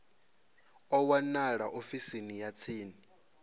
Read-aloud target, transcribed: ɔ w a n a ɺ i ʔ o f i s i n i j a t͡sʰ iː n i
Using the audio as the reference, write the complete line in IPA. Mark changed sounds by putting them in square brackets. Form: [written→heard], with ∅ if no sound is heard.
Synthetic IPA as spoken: ɔ w a n a ɺ [i→a] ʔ o f i s i n i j a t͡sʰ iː n i